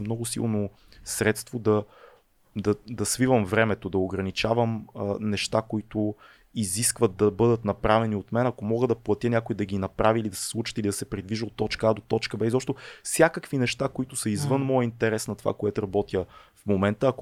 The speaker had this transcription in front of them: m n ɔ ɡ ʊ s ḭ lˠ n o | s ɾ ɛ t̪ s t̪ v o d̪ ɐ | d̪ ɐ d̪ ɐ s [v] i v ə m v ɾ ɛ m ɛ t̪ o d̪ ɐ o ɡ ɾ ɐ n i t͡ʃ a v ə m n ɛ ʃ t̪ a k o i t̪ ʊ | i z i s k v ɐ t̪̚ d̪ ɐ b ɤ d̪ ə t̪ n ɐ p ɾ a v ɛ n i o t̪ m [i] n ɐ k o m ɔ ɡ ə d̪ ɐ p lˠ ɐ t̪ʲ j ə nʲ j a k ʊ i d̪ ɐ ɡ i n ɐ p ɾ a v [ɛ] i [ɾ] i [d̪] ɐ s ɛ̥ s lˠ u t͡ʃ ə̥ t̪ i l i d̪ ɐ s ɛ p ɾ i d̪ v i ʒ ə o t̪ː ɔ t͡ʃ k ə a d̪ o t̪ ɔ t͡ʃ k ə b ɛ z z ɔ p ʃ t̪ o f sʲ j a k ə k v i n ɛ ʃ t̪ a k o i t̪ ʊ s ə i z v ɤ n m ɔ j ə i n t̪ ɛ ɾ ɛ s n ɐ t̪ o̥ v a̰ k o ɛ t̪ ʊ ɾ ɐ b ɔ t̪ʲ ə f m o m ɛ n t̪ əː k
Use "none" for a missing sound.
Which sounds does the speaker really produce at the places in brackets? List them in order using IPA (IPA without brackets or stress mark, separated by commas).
v, ɛ, i, l, d̪